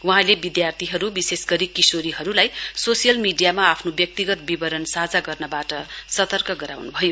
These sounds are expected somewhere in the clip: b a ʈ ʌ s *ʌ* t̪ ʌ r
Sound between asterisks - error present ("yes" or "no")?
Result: no